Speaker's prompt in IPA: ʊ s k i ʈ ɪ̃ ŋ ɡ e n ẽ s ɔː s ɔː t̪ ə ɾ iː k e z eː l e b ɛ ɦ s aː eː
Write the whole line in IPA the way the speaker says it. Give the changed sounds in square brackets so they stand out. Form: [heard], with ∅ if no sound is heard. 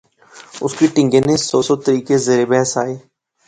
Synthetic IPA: ʊ s k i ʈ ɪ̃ ŋ ɡ e n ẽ s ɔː s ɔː t̪ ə ɾ iː k e z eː [ɾ] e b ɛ ɦ s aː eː

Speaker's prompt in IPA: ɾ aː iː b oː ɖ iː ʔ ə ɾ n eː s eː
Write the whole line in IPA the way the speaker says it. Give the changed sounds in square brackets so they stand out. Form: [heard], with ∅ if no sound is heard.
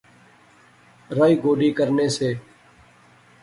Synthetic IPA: ɾ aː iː [ɡ] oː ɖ iː [k] ə ɾ n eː s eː

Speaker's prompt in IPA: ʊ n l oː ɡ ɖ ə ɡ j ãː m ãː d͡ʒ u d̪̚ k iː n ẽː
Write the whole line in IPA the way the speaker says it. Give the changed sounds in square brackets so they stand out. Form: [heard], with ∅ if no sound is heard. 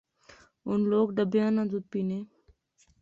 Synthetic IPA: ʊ n l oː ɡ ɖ ə [b] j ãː [n] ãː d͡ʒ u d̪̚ [p] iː n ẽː

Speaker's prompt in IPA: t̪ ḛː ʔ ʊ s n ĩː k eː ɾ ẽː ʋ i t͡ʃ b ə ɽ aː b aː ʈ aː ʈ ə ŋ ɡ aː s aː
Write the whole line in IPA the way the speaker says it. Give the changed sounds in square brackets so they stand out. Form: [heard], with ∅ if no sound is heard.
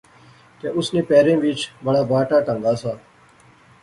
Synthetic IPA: t̪ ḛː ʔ ʊ s n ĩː [p] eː ɾ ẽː ʋ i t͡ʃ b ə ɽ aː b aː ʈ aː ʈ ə ŋ ɡ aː s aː

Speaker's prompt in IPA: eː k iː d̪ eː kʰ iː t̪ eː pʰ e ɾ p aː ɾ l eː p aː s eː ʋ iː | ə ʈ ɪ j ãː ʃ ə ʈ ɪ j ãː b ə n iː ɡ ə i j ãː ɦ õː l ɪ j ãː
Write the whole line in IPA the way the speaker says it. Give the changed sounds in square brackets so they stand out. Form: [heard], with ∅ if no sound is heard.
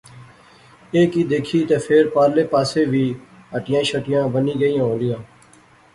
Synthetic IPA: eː k iː d̪ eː kʰ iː t̪ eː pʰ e ɾ p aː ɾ l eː p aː s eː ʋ iː | ə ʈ ɪ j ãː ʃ ə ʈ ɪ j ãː b ə n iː ɡ ə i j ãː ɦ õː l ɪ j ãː

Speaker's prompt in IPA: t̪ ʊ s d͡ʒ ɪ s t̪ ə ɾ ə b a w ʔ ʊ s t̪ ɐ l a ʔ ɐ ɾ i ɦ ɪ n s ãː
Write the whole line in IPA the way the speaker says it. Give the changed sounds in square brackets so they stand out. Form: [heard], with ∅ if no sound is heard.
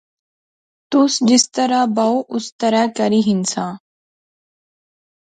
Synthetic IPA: t̪ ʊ s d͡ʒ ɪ s t̪ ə ɾ [a] b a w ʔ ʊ s t̪ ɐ [ɾ] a [k] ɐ ɾ i ɦ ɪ n s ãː

